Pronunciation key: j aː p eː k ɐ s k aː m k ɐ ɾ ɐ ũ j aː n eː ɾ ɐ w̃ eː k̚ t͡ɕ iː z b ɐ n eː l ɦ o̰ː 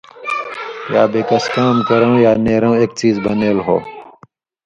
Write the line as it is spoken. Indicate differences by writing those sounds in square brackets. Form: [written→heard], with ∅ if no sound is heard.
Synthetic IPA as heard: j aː [p→b] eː k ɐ s k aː m k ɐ ɾ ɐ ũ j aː n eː ɾ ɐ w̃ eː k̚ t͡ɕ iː z b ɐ n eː l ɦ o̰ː